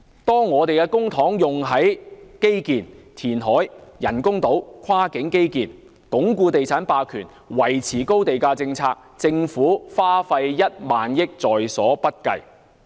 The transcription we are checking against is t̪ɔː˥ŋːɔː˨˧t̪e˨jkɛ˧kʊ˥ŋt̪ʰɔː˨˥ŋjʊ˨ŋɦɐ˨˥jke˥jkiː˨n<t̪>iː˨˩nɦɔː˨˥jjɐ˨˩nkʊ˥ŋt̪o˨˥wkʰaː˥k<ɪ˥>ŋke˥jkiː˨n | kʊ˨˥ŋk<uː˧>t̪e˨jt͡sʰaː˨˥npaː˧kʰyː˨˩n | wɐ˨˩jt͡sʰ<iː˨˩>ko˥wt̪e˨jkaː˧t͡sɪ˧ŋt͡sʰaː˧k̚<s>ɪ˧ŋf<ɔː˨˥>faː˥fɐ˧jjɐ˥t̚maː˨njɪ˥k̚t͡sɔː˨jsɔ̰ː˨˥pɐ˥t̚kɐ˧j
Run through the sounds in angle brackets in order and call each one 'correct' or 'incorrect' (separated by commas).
incorrect, incorrect, correct, correct, incorrect, incorrect